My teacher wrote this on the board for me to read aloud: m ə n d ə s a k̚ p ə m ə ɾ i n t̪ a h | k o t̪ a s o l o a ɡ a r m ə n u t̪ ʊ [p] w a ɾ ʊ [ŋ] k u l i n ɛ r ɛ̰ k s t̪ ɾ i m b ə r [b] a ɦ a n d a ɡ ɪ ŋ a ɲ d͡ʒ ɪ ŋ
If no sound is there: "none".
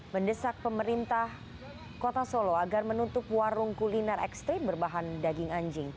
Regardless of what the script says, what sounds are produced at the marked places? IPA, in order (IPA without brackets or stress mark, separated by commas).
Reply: p, ŋ, b